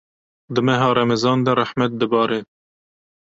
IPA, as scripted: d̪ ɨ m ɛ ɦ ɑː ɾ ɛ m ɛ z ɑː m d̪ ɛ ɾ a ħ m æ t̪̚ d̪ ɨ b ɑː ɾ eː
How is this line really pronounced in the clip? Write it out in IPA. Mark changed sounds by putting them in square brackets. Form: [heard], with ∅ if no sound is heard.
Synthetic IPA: d̪ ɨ m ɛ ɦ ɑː ɾ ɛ m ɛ z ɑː [n] d̪ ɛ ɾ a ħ m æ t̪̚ d̪ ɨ b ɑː ɾ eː